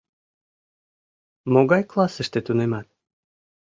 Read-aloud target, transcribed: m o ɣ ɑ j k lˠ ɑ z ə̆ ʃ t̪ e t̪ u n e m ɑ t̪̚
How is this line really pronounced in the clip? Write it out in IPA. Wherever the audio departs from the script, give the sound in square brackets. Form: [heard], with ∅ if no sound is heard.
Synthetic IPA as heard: m o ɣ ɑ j k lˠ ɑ [s] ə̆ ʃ t̪ e t̪ u n e m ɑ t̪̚